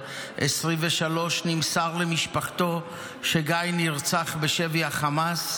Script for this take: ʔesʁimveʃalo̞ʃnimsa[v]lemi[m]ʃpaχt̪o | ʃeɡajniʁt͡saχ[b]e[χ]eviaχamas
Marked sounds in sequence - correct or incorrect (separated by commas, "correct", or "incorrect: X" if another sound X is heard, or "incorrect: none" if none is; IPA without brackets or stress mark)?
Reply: incorrect: ʁ, incorrect: none, correct, incorrect: ʃ